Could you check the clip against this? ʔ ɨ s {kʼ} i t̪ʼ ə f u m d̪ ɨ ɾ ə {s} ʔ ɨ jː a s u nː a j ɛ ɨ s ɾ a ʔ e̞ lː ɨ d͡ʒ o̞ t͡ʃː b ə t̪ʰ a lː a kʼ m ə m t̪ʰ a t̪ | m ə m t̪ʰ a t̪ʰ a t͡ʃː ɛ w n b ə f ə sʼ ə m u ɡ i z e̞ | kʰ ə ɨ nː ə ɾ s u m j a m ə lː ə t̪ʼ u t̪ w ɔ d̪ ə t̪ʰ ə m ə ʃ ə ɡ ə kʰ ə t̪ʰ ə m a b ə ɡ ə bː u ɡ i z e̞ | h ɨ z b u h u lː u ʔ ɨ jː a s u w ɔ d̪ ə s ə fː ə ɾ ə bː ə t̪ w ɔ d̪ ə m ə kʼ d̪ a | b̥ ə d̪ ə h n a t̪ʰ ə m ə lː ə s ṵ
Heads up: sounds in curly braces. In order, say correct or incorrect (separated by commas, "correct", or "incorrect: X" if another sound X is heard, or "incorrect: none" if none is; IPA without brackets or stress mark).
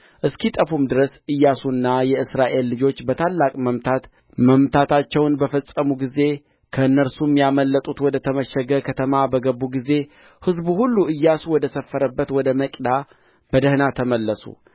incorrect: k, correct